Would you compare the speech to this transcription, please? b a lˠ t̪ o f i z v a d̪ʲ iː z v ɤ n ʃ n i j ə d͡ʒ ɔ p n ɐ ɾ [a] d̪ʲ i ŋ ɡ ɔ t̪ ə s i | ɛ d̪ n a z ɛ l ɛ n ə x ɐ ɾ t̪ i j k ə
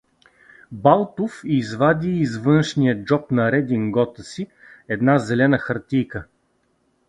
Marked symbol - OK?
no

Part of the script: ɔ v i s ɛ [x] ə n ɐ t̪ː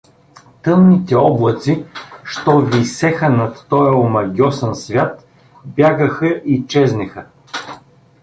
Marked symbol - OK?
yes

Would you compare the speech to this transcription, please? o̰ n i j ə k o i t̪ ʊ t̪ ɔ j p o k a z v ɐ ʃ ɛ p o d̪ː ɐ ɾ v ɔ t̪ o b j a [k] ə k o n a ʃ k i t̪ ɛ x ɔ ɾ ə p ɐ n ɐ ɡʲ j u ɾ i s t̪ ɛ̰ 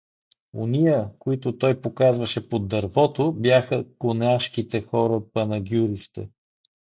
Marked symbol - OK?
no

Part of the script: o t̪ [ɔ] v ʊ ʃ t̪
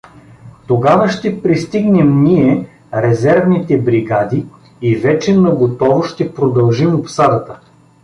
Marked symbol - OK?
yes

